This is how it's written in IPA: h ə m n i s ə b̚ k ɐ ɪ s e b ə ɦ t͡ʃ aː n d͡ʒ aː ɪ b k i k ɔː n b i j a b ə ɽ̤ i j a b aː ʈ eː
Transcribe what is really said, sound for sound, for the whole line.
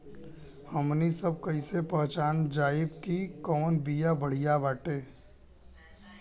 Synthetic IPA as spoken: h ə m n i s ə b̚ k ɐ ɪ s e p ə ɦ t͡ʃ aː n d͡ʒ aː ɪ b k i k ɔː n b i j a b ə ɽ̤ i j a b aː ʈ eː